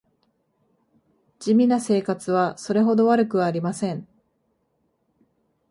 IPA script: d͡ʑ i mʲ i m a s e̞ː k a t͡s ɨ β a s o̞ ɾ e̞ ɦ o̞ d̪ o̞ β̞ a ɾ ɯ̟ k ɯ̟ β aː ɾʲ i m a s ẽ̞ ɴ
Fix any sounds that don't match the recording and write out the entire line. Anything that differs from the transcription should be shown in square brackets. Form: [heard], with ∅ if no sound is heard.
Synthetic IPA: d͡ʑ i mʲ i [n] a s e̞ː k a t͡s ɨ β a s o̞ ɾ e̞ ɦ o̞ d̪ o̞ β̞ a ɾ ɯ̟ k ɯ̟ β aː ɾʲ i m a s ẽ̞ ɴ